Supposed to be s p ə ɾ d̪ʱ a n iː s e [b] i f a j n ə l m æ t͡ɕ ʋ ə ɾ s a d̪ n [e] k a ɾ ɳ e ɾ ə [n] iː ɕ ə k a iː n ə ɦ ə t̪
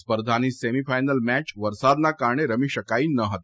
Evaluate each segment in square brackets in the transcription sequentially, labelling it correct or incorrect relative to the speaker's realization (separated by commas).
incorrect, incorrect, incorrect